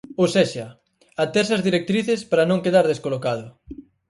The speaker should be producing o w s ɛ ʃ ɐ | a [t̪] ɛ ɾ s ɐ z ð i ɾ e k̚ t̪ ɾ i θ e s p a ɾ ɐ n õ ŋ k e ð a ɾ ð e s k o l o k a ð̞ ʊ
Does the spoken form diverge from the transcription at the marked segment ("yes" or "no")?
no